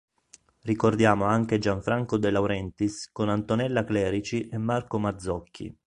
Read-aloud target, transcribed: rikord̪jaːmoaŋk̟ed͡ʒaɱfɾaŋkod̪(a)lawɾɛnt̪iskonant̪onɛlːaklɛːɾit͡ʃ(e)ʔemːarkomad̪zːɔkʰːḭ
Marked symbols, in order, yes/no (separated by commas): no, no